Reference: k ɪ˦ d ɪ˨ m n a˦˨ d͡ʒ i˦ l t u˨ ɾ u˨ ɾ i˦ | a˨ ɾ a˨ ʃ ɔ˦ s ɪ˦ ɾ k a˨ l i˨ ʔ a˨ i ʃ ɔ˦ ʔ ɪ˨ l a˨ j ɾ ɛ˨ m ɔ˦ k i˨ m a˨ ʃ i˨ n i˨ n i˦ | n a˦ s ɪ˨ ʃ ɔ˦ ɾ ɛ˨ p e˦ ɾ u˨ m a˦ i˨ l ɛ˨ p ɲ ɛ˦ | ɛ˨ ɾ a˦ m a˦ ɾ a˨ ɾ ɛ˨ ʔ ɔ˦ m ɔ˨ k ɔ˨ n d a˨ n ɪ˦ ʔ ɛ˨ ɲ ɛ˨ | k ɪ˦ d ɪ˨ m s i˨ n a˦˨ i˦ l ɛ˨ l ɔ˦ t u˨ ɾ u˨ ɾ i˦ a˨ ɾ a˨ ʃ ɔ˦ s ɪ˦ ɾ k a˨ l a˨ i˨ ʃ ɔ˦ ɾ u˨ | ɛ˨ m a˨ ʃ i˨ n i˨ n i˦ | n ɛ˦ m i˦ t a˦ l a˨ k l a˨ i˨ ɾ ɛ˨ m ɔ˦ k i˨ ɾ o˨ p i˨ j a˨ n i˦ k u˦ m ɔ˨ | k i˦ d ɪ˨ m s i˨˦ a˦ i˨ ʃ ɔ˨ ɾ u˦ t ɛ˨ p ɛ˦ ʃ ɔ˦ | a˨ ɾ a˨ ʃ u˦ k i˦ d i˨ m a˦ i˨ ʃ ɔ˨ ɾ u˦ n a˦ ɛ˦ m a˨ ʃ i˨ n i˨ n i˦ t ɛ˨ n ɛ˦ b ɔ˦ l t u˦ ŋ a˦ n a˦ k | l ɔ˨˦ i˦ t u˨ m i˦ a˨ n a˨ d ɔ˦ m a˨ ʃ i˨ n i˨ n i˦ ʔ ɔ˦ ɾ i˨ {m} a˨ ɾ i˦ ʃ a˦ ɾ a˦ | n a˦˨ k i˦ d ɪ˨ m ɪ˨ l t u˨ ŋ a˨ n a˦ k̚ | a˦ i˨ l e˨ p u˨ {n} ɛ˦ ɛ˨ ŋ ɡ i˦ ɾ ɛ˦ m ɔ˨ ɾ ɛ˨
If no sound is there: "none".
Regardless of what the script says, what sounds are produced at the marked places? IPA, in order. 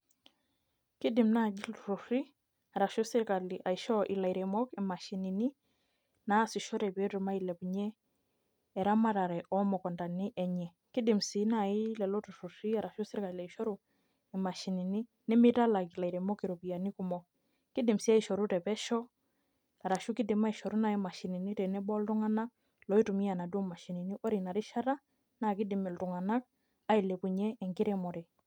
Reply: n, ɲ

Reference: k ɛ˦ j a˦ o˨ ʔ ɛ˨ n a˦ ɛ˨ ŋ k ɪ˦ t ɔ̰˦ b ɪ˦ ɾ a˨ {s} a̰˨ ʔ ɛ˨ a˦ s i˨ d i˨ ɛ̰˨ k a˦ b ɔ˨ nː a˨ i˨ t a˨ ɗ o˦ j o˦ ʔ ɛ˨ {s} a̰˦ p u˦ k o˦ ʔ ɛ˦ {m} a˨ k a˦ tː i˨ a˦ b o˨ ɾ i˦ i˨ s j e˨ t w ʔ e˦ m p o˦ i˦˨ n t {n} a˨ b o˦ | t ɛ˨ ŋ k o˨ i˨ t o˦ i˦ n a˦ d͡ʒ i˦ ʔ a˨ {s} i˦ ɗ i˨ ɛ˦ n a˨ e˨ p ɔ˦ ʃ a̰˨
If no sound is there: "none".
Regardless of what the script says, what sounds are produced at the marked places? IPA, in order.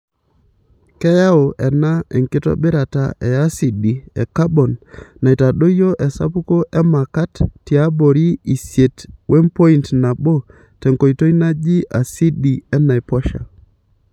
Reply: t, s, m, n, s

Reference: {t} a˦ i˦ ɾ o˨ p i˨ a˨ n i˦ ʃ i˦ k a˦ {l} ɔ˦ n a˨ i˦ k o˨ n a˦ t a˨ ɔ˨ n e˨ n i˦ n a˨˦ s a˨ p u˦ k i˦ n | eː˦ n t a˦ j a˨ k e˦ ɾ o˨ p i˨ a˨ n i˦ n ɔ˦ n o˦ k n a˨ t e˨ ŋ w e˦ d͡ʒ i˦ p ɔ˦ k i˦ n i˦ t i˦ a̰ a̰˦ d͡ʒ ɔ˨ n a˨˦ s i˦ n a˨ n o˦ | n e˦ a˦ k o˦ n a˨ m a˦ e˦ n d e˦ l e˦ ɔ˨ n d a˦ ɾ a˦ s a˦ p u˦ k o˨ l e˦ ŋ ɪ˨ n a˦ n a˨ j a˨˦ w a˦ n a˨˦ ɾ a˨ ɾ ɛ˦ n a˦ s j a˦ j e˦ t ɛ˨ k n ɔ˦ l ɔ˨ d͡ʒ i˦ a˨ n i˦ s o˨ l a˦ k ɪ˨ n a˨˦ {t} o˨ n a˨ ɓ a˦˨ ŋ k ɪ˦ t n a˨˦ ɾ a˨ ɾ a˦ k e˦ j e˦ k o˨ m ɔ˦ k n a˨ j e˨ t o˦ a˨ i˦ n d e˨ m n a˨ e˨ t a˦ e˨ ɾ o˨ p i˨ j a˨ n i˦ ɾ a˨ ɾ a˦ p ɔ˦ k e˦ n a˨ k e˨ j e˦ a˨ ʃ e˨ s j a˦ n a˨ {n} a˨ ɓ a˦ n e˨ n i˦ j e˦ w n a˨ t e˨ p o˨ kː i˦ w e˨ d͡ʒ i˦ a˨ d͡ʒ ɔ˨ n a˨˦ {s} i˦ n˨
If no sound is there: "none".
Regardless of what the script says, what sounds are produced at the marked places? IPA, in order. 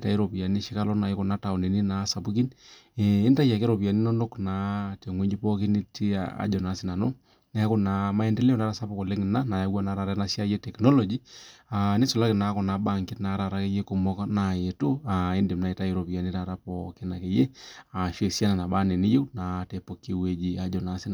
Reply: t, l, k, n, s

